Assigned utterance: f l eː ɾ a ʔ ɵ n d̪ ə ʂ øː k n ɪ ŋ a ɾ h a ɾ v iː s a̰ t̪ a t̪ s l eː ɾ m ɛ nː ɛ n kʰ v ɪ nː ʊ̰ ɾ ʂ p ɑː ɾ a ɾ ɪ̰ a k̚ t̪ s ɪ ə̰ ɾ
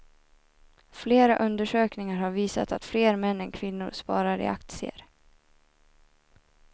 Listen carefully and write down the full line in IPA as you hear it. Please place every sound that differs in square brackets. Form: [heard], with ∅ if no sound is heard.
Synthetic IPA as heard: f l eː ɾ a ʔ ɵ n d̪ ə ʂ øː k n ɪ ŋ a ɾ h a ɾ v iː s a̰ t̪ a t̪ [f] l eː ɾ m ɛ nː ɛ n kʰ v ɪ nː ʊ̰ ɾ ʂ p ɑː ɾ a ɾ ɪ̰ a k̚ t̪ s ɪ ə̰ ɾ